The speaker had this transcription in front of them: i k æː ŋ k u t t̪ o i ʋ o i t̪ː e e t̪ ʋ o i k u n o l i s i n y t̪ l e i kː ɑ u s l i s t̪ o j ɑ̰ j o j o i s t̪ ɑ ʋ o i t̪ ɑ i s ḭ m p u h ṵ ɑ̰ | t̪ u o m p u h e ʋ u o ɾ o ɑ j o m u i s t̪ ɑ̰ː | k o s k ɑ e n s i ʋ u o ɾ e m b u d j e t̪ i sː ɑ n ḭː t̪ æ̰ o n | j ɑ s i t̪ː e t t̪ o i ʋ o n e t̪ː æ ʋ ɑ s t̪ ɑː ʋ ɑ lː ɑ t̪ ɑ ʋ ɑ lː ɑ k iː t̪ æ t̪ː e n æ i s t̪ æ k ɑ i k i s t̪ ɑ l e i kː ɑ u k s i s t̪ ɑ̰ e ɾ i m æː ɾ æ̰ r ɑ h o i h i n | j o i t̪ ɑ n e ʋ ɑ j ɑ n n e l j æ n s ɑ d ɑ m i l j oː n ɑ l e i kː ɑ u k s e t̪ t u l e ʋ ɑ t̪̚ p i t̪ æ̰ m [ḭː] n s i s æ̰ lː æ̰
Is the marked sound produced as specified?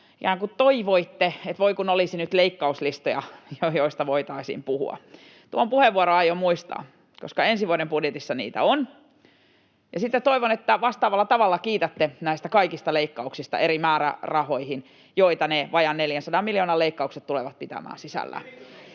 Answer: no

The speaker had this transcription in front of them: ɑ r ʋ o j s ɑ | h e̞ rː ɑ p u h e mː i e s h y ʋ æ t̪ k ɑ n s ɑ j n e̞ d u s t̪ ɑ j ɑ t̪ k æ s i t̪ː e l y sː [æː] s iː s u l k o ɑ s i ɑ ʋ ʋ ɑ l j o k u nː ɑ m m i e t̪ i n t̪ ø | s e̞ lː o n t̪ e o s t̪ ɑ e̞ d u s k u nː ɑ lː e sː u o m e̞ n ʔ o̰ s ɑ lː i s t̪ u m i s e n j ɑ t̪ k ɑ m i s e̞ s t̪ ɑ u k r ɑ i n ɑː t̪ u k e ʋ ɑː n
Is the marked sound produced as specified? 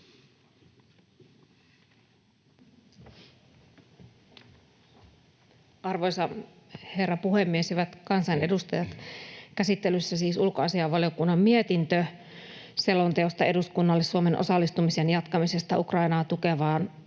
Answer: no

